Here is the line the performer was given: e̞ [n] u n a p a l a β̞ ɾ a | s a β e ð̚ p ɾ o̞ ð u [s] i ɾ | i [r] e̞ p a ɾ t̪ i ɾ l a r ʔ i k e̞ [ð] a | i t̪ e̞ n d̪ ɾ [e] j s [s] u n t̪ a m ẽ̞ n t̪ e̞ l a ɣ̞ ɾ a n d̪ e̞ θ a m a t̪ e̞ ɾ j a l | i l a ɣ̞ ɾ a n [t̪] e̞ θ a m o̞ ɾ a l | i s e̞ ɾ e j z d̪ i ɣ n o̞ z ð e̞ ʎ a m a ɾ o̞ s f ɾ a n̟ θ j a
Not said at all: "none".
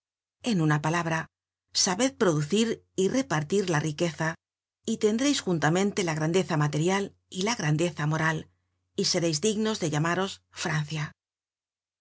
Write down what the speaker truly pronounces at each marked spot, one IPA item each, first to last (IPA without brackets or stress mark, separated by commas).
n, θ, r, θ, e, x, d̪